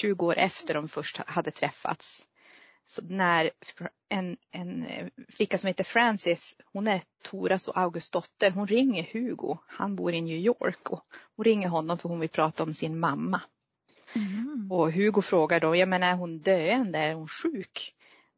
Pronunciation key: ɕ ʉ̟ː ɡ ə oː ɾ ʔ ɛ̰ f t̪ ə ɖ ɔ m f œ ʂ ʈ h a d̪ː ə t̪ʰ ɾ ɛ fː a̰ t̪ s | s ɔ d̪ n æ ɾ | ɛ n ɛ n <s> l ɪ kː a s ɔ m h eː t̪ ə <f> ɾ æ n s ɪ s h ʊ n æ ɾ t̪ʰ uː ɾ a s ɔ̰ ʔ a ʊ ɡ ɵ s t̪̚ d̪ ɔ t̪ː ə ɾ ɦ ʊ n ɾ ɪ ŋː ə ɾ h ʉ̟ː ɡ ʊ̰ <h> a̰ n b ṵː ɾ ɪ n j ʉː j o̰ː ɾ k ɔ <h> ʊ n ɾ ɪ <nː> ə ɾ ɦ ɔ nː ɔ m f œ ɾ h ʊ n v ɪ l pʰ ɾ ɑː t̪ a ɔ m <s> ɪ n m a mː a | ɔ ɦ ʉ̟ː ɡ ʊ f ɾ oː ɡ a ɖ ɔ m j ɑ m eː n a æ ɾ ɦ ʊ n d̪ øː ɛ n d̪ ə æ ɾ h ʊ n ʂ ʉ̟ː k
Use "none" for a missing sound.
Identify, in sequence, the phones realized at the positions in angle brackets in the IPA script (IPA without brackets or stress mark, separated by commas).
f, f, h, h, ŋː, s